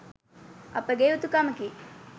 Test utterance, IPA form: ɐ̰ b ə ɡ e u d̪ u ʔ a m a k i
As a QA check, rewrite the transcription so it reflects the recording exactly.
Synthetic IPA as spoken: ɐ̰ p ə ɡ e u t̪ u k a m ə k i